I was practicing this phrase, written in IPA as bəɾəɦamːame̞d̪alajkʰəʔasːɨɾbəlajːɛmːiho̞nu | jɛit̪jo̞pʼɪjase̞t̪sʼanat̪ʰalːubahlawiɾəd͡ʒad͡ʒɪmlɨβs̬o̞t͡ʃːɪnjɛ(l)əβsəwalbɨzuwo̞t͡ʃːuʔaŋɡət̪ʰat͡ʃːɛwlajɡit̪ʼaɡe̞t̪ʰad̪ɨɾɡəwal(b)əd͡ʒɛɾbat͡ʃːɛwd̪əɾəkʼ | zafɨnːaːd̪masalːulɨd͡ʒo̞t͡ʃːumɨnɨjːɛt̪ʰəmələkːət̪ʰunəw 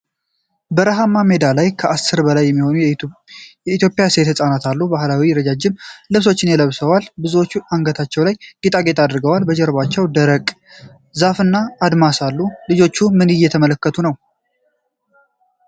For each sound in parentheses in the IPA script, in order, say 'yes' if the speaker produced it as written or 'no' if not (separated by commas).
yes, yes